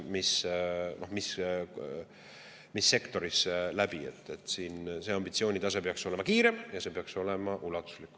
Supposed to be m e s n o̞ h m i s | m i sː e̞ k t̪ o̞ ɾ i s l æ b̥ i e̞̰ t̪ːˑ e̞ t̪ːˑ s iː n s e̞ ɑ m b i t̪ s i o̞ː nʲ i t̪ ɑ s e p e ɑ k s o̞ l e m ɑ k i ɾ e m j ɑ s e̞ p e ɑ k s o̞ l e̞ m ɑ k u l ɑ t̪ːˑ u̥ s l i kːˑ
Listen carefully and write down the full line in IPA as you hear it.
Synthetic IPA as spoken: m i s n o̞ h m i s | m i sː e̞ k t̪ o̞ ɾ i s l æ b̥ i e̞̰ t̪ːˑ e̞ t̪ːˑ s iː n s e̞ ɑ m b i t̪ s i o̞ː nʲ i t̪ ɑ s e p e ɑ k s o̞ l e m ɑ k iː ɾ e m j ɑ s e̞ p e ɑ k s o̞ l e̞ m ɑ ʔ u l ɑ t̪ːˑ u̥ s l i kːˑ